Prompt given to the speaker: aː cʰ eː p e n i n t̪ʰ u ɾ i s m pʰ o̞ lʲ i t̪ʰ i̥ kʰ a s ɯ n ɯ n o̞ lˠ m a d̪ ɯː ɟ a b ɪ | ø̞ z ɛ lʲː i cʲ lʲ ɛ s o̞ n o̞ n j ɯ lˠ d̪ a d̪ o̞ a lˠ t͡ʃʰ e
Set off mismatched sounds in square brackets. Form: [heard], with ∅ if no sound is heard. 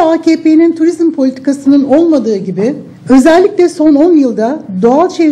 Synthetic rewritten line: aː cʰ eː p e n i n t̪ʰ u ɾ i [z] m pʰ o̞ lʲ i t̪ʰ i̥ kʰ a s ɯ n ɯ n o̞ lˠ m a d̪ ɯː ɟ [i] b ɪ | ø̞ z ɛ lʲː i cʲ lʲ ɛ s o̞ n o̞ n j ɯ lˠ d̪ a d̪ o̞ a lˠ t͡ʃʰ e

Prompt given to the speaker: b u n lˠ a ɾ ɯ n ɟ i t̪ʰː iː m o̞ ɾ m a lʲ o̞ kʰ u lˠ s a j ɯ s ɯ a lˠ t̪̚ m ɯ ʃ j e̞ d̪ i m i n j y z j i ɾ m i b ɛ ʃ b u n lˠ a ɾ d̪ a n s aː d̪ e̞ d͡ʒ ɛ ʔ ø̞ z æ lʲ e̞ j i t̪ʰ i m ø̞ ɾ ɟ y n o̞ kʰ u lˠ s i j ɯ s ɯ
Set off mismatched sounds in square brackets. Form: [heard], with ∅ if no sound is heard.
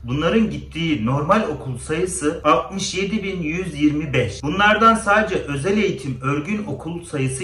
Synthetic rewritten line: b u n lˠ a ɾ ɯ n ɟ i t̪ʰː iː [n] o̞ ɾ m a lʲ o̞ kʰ u lˠ s a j ɯ s ɯ a lˠ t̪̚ m ɯ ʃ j e̞ d̪ i [b] i n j y z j i ɾ m i b ɛ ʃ b u n lˠ a ɾ d̪ a n s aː d̪ e̞ d͡ʒ ɛ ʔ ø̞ z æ lʲ e̞ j i t̪ʰ i m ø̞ ɾ ɟ y n o̞ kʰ u lˠ s [a] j ɯ s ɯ

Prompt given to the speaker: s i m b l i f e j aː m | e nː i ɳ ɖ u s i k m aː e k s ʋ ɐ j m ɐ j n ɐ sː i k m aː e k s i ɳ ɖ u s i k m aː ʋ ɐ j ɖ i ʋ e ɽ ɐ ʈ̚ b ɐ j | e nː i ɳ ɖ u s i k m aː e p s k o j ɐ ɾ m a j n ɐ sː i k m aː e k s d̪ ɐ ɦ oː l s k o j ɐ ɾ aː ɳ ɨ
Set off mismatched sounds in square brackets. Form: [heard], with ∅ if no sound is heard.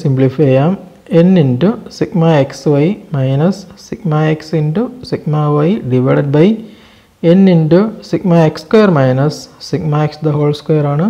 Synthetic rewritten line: s i m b l i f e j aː m | e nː i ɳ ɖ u s i k m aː e k s ʋ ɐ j m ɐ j n ɐ sː i k m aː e k s i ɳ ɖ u s i k m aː ʋ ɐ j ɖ i ʋ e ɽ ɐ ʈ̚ b ɐ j | e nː i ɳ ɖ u s i k m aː e [k] s k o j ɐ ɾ m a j n ɐ sː i k m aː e k s d̪ ɐ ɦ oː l s k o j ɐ ɾ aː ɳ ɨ

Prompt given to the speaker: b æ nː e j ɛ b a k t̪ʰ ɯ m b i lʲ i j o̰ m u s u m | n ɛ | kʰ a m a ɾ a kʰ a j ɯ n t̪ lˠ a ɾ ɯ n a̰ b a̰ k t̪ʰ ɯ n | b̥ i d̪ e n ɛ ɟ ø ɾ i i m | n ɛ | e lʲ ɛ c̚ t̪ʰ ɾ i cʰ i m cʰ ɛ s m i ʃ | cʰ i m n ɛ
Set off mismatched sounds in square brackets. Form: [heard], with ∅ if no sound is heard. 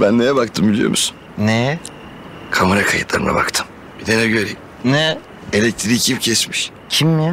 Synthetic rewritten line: b æ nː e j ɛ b a k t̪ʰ ɯ m b i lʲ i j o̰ m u s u [n] | n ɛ | kʰ a m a ɾ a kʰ a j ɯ [∅] t̪ lˠ a ɾ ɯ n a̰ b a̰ k t̪ʰ ɯ [m] | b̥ i d̪ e n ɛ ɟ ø ɾ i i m | n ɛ | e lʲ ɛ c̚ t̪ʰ ɾ i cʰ i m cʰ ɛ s m i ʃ | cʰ i m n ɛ

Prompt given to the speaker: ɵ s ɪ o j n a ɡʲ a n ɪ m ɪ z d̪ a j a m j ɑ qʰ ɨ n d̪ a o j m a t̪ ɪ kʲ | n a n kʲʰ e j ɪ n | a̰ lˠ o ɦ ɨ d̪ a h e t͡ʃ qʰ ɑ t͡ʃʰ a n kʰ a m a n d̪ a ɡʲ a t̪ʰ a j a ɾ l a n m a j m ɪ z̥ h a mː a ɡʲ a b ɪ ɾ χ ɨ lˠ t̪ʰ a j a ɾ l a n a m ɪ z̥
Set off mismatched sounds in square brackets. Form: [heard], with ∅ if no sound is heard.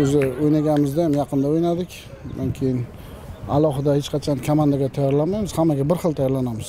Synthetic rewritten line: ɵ [z] ɪ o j n a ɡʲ a n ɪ m ɪ z d̪ a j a m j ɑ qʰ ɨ n d̪ a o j [n] a [d̪] ɪ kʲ | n a n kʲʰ e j ɪ n | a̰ lˠ [ɒ] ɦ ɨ d̪ a h e t͡ʃ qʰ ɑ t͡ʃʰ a n kʰ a m a n d̪ a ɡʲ a t̪ʰ a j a ɾ l a n m a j m ɪ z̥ h a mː a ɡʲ a b ɪ ɾ χ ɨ lˠ t̪ʰ a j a ɾ l a n a m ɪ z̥

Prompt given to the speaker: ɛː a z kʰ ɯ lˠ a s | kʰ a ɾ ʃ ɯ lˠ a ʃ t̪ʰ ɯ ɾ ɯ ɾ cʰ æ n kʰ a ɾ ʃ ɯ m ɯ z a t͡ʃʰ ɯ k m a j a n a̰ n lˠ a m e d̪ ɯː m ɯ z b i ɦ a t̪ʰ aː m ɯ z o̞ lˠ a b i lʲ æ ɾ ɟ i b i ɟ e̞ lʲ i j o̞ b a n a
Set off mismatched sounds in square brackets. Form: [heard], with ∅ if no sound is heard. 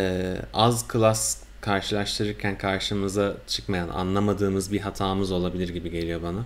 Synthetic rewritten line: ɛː a z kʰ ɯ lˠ a s | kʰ a ɾ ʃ ɯ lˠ a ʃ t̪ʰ ɯ ɾ ɯ ɾ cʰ æ n kʰ a ɾ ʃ ɯ m ɯ z a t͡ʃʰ ɯ k m a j a n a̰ n lˠ a m [a] d̪ ɯː m ɯ z b i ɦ a t̪ʰ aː m ɯ z o̞ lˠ a b i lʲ [i] ɾ ɟ i b i ɟ e̞ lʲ i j o̞ b a n a

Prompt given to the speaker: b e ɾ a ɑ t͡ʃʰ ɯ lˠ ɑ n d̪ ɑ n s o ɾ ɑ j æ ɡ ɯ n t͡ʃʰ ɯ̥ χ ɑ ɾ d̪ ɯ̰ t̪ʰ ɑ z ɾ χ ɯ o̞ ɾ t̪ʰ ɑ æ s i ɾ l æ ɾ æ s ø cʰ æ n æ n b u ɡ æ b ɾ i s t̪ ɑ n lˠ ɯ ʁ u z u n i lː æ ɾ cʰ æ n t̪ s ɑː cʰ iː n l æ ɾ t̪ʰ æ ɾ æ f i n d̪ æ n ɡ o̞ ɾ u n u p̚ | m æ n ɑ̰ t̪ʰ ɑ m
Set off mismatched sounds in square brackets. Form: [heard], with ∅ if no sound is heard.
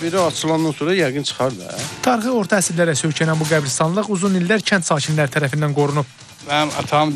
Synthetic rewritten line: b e ɾ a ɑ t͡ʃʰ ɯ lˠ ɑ n d̪ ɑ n s o ɾ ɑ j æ ɡ ɯ n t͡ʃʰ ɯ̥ χ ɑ ɾ d̪ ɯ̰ t̪ʰ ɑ [∅] ɾ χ ɯ o̞ ɾ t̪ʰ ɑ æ s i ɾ l æ ɾ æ s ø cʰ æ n æ n b u ɡ æ b ɾ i s t̪ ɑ n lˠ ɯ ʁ u z u n i lː æ ɾ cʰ æ n t̪ s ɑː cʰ [i] n l æ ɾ t̪ʰ æ ɾ æ f i n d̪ æ n ɡ o̞ ɾ u n u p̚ | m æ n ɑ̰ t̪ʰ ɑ m

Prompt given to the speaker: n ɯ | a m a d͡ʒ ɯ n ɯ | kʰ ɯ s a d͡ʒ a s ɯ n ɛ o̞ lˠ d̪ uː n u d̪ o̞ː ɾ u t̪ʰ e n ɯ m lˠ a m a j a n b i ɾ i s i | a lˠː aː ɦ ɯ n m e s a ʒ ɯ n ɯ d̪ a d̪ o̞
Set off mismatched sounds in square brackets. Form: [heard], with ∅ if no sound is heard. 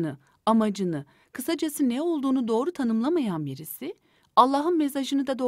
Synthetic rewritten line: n ɯ | a m a d͡ʒ ɯ n ɯ | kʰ ɯ s a d͡ʒ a s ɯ n ɛ o̞ lˠ d̪ uː n u d̪ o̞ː ɾ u t̪ʰ [a] n ɯ m lˠ a m a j a n b i ɾ i s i | a lˠː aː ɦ ɯ n m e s a ʒ ɯ n ɯ d̪ a d̪ o̞

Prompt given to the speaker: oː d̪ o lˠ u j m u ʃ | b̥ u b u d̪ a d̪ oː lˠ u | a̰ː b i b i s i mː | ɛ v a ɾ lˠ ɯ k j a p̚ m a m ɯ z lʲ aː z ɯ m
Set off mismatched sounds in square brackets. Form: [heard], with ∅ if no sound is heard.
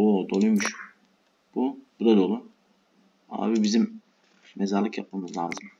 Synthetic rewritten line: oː d̪ o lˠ u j m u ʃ | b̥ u b u d̪ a d̪ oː lˠ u | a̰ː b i b i [z] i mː | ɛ [z] a ɾ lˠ ɯ k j a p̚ m a m ɯ z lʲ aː z ɯ m

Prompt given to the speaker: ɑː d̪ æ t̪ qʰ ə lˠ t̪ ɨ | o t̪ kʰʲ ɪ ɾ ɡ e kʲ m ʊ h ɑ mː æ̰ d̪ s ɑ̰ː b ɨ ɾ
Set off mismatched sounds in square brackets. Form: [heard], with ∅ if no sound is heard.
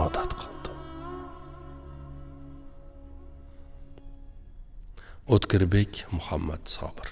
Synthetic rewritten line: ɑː d̪ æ t̪ qʰ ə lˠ [d̪] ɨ | o t̪ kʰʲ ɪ ɾ [b] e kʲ m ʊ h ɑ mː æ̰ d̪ s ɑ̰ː b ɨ ɾ

